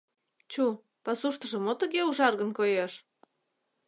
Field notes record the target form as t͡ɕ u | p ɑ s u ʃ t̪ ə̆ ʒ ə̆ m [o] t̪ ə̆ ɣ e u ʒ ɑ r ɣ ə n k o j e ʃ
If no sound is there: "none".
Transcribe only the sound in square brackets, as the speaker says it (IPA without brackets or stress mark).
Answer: o